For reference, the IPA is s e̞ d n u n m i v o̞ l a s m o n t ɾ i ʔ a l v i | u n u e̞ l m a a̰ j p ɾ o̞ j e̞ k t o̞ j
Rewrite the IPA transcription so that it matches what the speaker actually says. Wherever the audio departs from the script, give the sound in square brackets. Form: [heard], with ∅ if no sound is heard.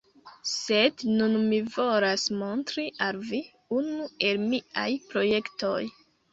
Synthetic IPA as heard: s e̞ d n u n m i v o̞ l a s m o n t ɾ i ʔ a l v i | u n u e̞ l m [i] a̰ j p ɾ o̞ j e̞ k t o̞ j